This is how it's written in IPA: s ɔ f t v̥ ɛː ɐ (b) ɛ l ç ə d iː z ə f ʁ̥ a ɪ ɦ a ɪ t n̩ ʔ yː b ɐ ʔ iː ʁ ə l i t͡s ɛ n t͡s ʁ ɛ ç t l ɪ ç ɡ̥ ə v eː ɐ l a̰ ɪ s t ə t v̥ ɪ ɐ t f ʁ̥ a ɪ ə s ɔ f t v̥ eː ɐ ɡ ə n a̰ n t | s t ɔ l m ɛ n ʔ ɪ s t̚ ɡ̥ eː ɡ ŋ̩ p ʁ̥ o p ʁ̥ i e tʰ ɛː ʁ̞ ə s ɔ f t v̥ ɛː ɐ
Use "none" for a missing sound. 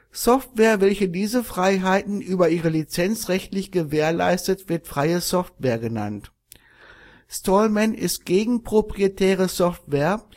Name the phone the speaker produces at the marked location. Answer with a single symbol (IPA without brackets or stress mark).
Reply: v